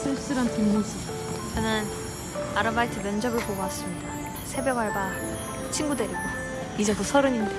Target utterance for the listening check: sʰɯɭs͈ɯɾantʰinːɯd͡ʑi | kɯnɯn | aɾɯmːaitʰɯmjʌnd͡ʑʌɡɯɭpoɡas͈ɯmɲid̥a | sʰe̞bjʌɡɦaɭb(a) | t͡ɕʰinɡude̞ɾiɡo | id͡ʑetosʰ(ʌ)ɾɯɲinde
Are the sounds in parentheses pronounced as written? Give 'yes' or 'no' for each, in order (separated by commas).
yes, yes